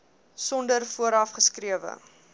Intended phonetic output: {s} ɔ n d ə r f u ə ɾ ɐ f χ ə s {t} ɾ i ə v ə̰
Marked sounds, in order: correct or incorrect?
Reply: correct, incorrect: k

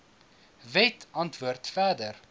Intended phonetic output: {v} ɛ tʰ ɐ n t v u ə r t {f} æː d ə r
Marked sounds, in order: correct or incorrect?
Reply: correct, correct

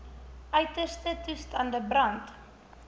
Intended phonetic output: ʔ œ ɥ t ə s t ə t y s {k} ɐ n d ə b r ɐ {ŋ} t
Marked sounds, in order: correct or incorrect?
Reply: incorrect: t, incorrect: n

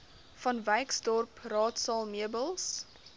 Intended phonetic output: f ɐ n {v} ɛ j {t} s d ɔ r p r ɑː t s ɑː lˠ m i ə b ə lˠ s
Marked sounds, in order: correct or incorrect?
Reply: correct, incorrect: k

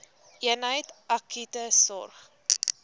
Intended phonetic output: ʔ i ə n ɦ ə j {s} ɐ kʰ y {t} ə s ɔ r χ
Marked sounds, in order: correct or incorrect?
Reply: incorrect: t, correct

